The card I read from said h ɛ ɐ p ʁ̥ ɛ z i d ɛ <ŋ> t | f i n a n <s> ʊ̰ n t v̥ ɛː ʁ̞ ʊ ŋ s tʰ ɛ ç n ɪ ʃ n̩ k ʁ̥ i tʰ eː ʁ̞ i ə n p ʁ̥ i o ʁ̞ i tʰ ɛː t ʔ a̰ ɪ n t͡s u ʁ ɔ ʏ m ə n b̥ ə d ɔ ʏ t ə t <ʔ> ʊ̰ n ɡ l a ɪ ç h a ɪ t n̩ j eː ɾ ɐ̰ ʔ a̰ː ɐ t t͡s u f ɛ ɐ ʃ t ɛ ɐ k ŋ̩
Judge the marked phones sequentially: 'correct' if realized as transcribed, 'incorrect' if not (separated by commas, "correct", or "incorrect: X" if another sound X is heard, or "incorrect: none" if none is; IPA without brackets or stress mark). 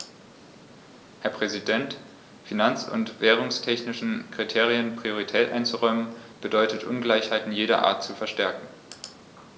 incorrect: n, incorrect: t͡s, correct